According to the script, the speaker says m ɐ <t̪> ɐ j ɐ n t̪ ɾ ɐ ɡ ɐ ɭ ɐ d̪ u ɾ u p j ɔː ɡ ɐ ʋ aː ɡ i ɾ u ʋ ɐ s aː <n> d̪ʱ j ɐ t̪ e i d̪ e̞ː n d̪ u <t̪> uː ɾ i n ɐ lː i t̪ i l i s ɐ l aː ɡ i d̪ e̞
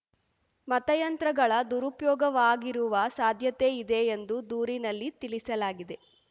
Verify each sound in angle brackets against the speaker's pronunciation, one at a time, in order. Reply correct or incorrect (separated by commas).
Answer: correct, incorrect, incorrect